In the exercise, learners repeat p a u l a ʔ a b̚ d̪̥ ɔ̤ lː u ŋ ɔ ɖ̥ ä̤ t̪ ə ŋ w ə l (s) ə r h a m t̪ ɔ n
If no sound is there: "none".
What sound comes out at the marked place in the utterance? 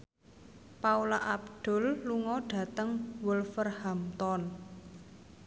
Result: f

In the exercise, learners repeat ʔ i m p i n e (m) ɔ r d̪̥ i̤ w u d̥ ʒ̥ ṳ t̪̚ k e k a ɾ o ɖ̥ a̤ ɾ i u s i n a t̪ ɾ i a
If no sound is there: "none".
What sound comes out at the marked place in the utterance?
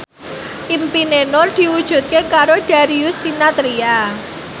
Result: n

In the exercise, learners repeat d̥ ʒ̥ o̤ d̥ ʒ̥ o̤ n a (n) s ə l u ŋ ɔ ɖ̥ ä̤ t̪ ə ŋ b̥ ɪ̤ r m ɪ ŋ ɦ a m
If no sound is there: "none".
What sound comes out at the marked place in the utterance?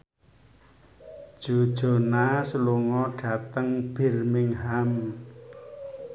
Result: none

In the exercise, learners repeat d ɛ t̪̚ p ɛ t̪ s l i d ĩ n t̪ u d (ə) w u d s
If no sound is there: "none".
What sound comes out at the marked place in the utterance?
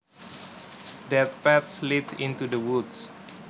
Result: ə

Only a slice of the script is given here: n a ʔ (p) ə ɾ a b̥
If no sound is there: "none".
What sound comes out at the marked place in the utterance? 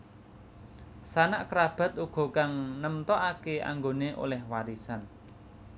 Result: k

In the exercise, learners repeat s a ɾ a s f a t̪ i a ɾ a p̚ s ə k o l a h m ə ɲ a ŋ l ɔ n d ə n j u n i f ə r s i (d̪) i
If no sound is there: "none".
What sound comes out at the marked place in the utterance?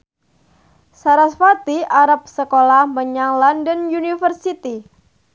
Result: t̪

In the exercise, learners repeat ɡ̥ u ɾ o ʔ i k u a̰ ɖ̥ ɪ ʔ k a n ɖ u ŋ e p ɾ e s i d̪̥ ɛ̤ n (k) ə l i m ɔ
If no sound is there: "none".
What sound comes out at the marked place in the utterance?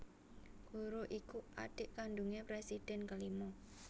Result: k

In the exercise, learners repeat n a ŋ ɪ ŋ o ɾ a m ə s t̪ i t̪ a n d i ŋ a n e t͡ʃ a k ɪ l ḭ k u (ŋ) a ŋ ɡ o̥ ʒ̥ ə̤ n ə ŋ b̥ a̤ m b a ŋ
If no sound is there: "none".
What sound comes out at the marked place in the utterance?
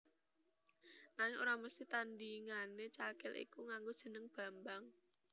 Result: ŋ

